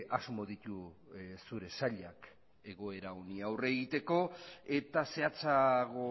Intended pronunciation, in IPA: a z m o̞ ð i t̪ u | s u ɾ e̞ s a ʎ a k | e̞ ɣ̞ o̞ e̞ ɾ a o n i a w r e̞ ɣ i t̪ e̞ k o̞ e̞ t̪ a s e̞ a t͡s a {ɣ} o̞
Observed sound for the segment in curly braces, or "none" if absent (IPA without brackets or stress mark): ɣ